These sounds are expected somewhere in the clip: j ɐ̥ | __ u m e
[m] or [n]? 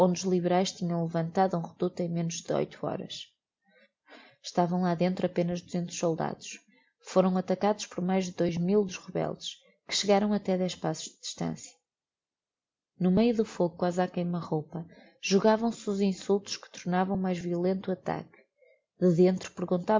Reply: n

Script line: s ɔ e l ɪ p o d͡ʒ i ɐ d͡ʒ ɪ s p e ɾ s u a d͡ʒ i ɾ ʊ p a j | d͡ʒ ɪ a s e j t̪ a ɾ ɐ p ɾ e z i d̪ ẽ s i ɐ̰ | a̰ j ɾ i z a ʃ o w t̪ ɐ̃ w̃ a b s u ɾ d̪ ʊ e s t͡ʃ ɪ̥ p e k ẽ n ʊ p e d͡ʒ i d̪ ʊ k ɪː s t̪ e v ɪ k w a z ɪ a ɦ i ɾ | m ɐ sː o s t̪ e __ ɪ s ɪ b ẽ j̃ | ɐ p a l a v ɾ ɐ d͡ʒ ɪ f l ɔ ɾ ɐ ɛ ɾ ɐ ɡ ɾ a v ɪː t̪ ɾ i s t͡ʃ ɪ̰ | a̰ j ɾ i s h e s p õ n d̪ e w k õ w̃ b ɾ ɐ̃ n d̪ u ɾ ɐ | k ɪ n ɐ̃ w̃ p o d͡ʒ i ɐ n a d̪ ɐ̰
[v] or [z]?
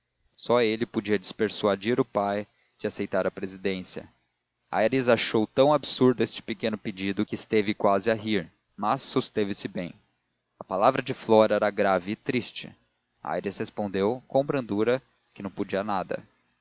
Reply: v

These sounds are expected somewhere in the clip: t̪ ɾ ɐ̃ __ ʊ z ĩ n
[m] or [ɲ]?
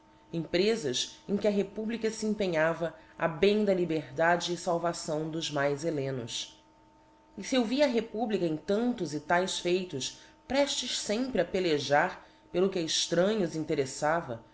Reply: ɲ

